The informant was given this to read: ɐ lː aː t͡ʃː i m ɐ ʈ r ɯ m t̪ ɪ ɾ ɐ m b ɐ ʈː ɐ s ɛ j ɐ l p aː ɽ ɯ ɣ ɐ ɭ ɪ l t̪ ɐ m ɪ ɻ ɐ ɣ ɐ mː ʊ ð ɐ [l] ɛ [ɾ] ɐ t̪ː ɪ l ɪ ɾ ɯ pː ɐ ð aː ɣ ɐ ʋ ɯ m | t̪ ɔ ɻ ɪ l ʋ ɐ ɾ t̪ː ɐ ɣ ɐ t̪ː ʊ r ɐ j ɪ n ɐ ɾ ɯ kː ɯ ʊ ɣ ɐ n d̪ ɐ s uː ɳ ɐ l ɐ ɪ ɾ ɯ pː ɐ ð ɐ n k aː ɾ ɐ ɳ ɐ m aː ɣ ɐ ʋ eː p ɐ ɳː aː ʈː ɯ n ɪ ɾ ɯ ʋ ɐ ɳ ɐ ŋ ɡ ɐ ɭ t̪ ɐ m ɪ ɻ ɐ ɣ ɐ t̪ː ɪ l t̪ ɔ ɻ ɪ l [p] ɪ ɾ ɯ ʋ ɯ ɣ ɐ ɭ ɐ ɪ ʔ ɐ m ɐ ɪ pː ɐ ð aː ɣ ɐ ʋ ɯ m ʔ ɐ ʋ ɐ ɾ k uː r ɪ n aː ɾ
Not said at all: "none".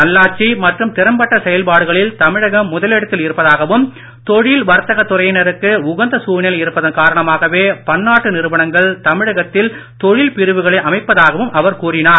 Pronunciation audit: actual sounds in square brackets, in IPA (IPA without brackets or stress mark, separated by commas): l, ɽ, p